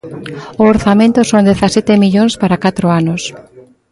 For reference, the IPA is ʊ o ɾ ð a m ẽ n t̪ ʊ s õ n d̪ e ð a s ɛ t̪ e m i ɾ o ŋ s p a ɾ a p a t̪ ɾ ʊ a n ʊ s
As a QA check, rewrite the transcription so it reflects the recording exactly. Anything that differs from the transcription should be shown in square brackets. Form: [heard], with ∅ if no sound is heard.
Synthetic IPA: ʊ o ɾ [θ] a m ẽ n t̪ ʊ s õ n d̪ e [θ] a s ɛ t̪ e m i [ʎ] o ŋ s p a ɾ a [k] a t̪ ɾ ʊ a n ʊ s